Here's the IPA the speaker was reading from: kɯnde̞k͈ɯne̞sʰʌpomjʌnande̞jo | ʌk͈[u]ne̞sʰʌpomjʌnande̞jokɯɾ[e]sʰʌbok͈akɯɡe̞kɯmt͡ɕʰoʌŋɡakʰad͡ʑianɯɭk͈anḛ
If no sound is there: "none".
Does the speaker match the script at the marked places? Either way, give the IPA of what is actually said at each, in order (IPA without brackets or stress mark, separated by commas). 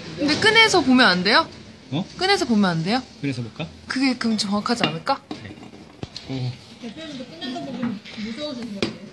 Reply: ɯ, e